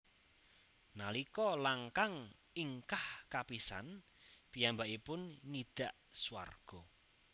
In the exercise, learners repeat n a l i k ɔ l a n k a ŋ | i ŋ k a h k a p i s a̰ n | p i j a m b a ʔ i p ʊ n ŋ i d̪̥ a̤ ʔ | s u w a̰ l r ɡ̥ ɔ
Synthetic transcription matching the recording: n a l i k ɔ l a ŋ k a ŋ | i ŋ k a h k a p i s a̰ n | p i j a m b a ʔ i p ʊ n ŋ i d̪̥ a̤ ʔ | s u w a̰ r ɡ̥ ɔ